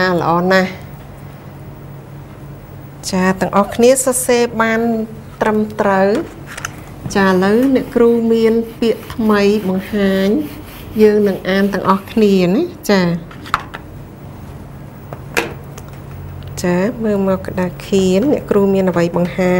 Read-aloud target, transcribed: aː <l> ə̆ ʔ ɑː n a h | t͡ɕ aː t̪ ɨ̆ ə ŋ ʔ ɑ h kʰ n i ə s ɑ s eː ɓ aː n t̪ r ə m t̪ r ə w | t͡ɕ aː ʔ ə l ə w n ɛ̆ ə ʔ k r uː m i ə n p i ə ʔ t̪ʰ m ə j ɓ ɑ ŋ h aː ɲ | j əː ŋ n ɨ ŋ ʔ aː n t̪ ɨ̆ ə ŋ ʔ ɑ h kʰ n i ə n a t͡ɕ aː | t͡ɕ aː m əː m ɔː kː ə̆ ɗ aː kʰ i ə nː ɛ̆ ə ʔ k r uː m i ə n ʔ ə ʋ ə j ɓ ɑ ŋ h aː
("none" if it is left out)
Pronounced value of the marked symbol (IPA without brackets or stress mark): l